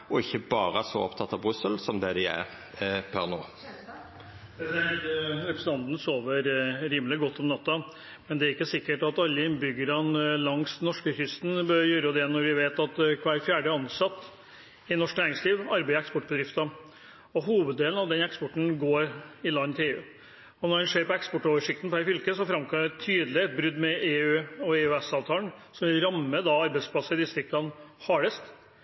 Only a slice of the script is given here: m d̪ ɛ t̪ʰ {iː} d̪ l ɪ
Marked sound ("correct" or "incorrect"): incorrect